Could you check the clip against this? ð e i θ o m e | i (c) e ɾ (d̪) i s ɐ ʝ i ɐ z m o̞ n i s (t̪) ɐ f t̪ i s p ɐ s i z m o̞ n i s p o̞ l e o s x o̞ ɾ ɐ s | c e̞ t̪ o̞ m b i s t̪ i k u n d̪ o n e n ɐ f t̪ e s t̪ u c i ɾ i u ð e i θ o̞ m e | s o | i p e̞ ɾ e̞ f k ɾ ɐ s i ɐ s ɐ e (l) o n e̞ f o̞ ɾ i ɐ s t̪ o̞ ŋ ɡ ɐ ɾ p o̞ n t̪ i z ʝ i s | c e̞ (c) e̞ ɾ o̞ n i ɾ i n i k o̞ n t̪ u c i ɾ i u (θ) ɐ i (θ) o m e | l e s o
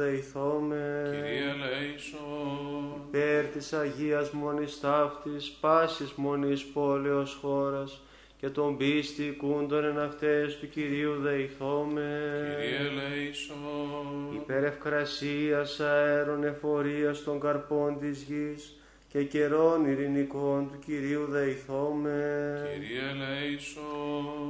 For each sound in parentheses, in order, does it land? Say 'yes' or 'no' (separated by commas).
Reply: no, no, yes, no, yes, no, yes